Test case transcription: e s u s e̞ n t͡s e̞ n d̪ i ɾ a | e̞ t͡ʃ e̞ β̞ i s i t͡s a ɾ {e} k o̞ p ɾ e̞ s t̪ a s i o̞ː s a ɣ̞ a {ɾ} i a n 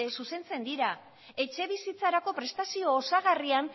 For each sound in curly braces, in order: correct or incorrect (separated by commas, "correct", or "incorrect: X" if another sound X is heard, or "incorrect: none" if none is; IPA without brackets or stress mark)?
incorrect: a, incorrect: r